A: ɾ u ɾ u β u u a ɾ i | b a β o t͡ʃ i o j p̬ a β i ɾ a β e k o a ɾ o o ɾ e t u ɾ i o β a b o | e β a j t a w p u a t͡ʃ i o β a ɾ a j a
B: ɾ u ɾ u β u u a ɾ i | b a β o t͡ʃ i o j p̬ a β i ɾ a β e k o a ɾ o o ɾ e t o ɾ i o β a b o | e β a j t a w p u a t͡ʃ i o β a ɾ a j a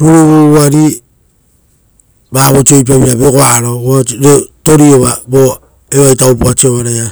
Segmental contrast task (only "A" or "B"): B